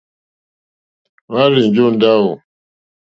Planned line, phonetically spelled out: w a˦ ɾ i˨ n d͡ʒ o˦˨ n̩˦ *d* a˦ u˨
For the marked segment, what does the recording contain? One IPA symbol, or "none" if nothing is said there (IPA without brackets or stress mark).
d